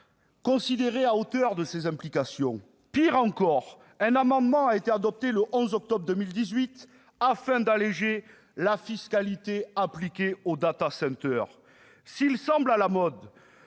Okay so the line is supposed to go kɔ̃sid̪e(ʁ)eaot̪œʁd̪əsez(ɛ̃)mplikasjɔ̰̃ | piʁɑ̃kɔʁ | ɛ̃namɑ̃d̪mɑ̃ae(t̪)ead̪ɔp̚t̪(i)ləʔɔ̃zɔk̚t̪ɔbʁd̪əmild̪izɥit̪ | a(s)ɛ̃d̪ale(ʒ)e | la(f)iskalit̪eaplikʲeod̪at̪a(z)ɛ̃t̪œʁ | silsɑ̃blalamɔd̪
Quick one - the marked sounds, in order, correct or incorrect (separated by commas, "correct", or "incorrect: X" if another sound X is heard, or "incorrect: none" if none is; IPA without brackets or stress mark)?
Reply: correct, correct, correct, incorrect: e, incorrect: f, correct, correct, incorrect: s